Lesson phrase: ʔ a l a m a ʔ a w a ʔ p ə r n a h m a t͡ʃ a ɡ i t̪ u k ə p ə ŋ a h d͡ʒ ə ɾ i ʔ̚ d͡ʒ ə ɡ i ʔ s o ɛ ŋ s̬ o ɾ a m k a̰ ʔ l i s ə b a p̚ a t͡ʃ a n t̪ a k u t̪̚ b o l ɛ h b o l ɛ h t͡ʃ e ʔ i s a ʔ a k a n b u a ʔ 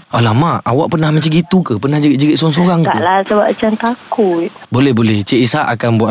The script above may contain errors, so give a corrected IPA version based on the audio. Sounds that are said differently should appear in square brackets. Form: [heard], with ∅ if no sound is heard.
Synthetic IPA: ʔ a l a m a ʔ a w a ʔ p ə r n a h m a t͡ʃ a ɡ i t̪ u k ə p ə [n] a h d͡ʒ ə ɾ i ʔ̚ d͡ʒ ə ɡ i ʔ s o [a] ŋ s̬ o ɾ a [ŋ] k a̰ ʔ l [a] s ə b a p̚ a t͡ʃ a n t̪ a k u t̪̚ b o l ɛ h b o l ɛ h t͡ʃ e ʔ i s a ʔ a k a n b u a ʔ